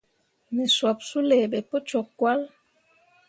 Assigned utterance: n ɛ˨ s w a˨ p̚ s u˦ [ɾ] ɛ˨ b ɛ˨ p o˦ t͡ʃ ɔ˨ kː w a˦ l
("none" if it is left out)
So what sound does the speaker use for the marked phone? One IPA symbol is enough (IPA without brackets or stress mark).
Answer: l